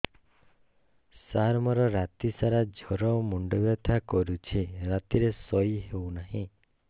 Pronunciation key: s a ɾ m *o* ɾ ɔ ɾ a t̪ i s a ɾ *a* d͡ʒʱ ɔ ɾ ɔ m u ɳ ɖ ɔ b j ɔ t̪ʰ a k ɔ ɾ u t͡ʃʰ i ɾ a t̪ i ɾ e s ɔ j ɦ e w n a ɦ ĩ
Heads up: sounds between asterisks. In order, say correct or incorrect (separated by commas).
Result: incorrect, correct